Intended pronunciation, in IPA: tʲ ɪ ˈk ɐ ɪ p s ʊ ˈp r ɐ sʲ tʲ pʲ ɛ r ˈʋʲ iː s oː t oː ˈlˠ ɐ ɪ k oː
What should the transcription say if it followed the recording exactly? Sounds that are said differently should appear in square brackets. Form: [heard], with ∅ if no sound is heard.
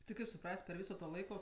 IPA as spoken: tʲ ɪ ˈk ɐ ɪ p s ʊ ˈp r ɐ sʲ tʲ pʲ ɛ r ˈʋʲ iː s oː t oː ˈlˠ ɐ ɪ k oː